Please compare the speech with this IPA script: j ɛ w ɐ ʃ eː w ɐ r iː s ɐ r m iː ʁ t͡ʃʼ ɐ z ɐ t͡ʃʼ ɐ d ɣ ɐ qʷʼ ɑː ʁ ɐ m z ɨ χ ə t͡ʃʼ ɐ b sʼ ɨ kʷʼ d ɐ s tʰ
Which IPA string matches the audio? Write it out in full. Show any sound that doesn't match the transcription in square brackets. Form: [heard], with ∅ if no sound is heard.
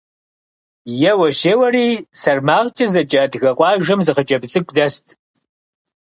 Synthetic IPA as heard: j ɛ w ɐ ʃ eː w ɐ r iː s ɐ r m [aː] ʁ t͡ʃʼ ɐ z ɐ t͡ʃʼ ɐ d ɣ ɐ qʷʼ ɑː [ʒ] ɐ m z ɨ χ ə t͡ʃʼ ɐ b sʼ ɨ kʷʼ d ɐ s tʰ